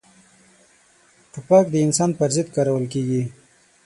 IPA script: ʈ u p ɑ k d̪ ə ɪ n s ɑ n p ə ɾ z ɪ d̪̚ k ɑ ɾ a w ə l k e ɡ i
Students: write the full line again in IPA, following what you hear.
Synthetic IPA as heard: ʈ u p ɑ k d̪ ə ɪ n s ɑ n p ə ɾ z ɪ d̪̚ k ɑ ɾ a w ə l k e ɡ i